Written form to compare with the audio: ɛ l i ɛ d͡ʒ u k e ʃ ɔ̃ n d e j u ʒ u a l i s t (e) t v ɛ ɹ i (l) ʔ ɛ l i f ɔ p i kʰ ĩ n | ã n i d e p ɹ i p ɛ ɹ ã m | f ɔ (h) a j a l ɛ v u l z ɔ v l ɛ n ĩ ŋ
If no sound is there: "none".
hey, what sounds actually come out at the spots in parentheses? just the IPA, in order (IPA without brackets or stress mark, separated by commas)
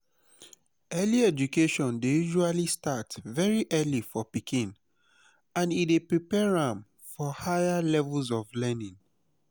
a, none, h